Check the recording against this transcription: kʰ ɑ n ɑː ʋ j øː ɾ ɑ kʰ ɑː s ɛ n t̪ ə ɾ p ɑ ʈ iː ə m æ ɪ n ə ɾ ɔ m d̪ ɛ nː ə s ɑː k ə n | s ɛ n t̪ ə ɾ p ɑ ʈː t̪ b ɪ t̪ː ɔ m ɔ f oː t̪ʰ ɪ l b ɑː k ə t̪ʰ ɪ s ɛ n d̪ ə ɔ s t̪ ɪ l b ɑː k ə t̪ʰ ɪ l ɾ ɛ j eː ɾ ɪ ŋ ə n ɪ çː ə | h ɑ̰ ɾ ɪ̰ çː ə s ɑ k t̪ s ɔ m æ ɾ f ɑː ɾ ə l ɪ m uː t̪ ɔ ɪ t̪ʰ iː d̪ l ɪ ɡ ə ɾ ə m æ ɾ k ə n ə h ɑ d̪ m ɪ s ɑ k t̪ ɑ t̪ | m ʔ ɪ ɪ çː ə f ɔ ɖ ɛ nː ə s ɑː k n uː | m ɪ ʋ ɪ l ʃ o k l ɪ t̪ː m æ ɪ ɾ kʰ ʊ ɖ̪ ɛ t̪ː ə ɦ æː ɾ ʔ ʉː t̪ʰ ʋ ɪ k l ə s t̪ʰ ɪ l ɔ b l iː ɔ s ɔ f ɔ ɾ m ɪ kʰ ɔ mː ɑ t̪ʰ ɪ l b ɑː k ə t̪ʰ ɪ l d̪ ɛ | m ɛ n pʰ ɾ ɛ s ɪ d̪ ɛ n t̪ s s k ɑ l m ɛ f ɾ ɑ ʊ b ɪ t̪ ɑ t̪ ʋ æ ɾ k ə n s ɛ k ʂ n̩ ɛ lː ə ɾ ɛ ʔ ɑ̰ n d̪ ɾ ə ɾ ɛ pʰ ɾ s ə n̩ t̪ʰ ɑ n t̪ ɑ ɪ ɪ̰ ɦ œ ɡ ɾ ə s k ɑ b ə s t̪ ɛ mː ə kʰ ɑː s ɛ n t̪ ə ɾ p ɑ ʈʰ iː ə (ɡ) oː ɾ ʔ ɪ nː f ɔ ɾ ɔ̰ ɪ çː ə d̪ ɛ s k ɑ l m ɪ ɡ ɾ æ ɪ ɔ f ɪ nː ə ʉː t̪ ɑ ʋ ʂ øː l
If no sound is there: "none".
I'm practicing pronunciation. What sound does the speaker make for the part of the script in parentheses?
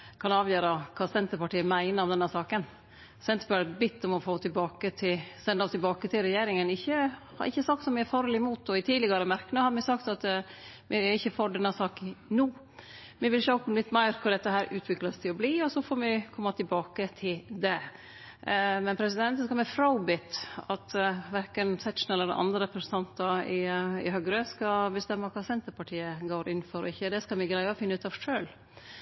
ɡ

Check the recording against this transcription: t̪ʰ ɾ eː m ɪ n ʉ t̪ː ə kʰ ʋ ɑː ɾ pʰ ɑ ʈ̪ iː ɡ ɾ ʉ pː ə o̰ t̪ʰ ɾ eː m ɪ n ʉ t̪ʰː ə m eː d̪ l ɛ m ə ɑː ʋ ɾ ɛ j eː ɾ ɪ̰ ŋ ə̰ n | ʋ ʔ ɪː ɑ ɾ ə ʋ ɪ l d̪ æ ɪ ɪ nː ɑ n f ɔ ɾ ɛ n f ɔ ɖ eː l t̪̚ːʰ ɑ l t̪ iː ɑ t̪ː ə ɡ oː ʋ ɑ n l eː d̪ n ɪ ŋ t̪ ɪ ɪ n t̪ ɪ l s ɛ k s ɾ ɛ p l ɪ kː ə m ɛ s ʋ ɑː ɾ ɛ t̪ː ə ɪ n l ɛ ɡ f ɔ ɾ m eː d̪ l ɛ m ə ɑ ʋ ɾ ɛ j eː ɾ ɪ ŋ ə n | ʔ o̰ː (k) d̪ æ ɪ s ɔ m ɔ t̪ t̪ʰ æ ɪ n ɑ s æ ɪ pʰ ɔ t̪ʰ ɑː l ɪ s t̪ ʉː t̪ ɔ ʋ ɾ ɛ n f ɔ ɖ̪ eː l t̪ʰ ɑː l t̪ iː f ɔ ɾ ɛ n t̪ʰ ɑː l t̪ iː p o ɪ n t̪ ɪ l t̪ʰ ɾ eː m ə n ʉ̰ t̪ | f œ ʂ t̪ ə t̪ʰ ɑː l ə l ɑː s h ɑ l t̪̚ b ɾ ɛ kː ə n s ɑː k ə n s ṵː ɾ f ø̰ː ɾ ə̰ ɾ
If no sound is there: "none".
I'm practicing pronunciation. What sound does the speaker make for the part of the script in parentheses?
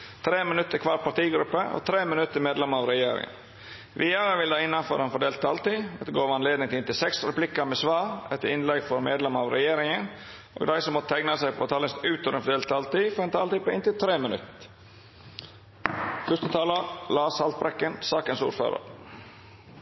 ɡ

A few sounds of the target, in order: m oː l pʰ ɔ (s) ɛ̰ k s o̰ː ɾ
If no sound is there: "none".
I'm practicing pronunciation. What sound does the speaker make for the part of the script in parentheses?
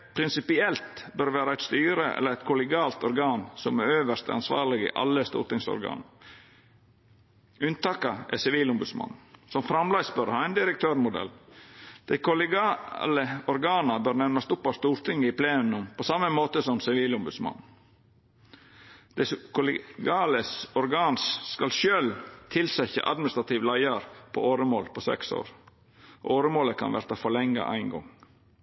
s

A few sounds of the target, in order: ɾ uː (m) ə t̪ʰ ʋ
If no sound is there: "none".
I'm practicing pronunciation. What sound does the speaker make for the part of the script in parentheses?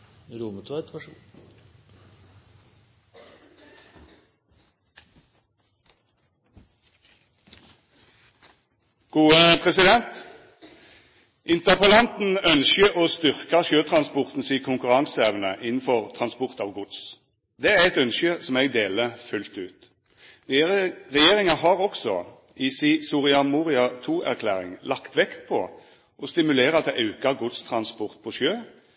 m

